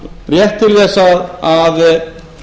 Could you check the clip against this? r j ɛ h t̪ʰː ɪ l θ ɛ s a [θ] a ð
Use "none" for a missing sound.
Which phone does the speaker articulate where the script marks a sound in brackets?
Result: ð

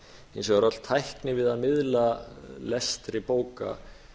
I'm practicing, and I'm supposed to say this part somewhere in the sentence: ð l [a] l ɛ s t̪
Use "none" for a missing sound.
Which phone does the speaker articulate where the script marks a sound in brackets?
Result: a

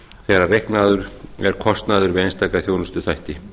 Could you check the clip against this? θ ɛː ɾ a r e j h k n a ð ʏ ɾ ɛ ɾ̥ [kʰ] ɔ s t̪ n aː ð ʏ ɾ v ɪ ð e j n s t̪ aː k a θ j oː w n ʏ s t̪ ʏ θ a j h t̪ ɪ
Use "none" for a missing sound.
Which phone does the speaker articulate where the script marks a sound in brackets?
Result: kʰ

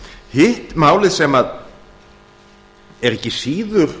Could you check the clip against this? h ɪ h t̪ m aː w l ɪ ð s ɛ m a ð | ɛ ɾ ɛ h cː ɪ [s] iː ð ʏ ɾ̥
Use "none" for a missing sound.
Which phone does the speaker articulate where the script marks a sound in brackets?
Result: s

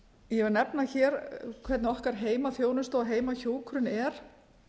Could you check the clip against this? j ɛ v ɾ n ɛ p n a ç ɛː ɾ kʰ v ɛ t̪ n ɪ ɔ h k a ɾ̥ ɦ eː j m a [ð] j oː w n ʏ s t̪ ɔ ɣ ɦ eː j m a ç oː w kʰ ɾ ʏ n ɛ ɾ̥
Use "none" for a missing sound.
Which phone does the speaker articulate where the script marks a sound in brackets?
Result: θ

